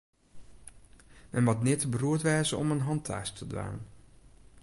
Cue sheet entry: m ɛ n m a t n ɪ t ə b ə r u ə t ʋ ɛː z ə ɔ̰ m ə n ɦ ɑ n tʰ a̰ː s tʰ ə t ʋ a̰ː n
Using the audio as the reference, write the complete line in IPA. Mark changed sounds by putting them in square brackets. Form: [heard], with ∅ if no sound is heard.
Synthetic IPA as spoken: m ɛ n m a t n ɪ t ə b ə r u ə t ʋ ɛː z ə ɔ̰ m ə n ɦ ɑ n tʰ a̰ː s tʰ ə [d] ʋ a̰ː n